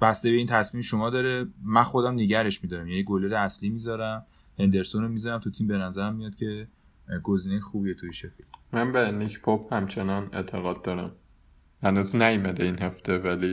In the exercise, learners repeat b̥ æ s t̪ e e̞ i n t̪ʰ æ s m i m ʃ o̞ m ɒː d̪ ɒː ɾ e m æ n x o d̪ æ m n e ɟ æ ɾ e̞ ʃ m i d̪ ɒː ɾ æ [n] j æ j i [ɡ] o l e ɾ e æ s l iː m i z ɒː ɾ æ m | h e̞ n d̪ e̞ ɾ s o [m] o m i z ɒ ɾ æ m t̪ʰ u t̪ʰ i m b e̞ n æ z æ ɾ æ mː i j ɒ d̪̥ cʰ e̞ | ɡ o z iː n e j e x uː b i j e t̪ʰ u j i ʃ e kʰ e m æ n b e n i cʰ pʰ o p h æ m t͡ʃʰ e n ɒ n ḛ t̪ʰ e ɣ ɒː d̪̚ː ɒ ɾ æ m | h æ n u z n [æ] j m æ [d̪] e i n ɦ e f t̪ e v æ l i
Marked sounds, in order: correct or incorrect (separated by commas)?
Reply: incorrect, correct, incorrect, correct, correct